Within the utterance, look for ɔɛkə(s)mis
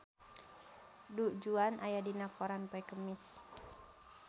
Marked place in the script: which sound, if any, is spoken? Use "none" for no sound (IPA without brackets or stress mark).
none